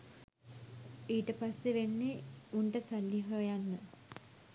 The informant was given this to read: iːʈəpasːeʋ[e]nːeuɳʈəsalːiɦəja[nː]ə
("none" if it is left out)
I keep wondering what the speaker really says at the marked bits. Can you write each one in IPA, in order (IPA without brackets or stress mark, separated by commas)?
e, nː